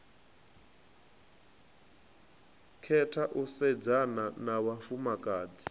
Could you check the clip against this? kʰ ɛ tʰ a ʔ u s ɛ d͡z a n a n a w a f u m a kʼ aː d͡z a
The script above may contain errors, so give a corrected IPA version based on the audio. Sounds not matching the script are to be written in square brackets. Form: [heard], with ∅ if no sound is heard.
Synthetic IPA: kʰ ɛ tʰ a ʔ u s ɛ d͡z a n a n a w a f u m a kʼ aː d͡z [i]